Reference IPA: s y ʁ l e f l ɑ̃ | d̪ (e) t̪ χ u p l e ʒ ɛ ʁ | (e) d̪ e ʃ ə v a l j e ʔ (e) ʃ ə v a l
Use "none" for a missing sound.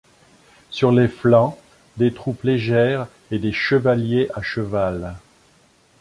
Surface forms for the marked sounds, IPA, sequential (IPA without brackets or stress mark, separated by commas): e, e, a